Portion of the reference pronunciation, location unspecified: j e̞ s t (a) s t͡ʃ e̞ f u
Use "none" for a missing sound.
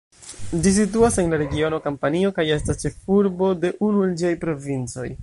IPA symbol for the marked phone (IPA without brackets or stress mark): a